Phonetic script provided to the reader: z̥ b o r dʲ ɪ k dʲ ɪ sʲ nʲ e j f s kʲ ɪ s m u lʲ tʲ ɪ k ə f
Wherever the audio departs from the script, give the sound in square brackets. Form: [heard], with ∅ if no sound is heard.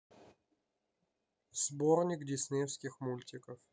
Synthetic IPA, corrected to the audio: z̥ b o r [nʲ] ɪ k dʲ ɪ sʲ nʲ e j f s kʲ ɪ [x] m u lʲ tʲ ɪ k ə f